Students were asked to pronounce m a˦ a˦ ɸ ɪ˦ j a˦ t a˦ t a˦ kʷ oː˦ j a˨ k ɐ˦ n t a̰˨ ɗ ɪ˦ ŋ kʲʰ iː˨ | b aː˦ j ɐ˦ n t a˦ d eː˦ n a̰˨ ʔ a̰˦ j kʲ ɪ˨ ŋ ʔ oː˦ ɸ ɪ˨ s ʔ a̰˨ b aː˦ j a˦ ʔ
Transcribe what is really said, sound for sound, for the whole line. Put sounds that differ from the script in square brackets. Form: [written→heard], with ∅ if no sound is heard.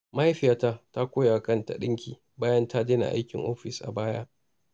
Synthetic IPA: m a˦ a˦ ɸ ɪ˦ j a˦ t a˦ t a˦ kʷ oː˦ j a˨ k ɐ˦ n t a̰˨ ɗ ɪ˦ ŋ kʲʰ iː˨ | b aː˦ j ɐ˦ n t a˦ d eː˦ n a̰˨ ʔ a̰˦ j kʲ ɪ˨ ŋ ʔ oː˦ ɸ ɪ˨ s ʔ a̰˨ b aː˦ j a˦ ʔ